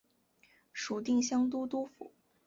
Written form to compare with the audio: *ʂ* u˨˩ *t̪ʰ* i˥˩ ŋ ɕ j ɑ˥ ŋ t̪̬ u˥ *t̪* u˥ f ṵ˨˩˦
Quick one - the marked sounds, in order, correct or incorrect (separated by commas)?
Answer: correct, incorrect, correct